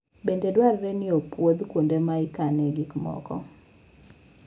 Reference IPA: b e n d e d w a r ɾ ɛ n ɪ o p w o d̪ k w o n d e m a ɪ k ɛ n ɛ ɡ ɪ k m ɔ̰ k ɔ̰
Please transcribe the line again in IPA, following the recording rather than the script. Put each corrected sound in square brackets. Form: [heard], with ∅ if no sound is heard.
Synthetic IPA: b e n d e d w a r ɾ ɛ n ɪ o p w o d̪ k w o n d e m a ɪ k [a] n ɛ ɡ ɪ k m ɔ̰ k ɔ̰